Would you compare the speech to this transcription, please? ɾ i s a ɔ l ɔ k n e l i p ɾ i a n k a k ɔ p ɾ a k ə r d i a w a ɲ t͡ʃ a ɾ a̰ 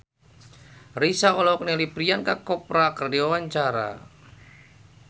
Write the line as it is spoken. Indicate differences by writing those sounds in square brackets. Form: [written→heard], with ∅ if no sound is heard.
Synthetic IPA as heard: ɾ i s a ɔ l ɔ k n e l i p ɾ i a n k a k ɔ p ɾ a k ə r d i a w a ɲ t͡ʃ a ɾ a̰